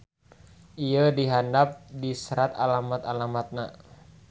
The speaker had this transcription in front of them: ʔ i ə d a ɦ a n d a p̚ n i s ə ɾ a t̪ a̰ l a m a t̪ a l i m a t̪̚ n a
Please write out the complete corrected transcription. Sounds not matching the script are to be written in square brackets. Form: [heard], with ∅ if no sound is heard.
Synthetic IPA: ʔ i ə d [i] ɦ a n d a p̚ [d] i s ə ɾ a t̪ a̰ l a m a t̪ a l [a] m a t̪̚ n a